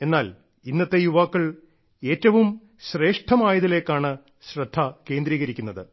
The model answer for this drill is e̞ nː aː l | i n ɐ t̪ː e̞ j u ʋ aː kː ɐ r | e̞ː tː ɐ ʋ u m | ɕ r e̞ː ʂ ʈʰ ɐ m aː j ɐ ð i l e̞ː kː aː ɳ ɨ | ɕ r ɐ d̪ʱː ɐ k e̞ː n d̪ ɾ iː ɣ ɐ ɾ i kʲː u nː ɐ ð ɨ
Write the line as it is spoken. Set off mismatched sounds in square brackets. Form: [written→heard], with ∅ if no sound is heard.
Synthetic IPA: e̞ nː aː l | i [n→nː] ɐ t̪ː e̞ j u ʋ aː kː ɐ [r→ɭ] | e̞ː tː ɐ ʋ u m | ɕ r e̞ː ʂ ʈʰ ɐ m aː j ɐ ð i l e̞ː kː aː ɳ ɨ | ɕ r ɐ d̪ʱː ɐ k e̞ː n d̪ ɾ iː ɣ ɐ ɾ i kʲː u nː ɐ ð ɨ